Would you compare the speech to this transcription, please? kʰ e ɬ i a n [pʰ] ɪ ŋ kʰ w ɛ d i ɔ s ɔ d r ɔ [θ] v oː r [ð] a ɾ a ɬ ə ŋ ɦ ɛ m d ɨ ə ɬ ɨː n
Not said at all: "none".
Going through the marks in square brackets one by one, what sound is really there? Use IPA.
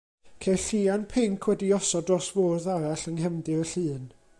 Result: pʰ, s, ð

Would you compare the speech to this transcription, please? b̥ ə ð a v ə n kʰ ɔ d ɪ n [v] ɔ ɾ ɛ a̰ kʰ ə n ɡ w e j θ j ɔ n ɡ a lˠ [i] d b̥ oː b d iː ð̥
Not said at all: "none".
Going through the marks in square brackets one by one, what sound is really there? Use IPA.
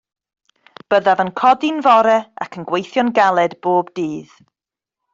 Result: v, ɛ

